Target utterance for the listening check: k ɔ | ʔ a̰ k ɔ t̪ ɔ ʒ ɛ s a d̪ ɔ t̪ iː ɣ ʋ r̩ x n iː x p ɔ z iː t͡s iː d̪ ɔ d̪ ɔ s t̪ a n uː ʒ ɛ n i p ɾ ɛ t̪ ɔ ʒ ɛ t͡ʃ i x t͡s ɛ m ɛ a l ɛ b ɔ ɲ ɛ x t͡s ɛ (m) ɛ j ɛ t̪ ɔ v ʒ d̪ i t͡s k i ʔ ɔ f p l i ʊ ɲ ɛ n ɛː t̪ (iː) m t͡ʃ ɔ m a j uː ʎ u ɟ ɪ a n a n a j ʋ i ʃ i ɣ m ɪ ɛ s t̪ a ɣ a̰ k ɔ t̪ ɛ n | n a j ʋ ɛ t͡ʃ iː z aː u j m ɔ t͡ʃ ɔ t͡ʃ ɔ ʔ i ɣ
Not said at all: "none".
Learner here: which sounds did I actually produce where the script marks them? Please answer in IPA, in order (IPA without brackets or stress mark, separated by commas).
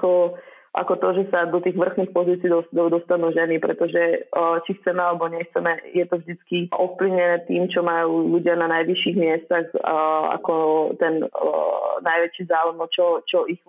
m, iː